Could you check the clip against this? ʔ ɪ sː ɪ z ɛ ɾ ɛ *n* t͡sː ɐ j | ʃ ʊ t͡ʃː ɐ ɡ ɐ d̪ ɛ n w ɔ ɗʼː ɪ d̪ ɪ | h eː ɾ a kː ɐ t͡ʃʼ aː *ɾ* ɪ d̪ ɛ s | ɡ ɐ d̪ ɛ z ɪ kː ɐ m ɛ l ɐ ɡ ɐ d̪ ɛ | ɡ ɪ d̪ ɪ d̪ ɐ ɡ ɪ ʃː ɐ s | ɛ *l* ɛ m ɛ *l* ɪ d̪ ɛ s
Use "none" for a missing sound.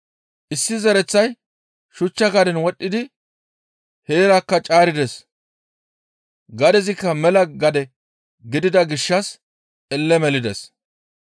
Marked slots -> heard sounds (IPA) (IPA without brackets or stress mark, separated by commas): none, ɾ, lː, l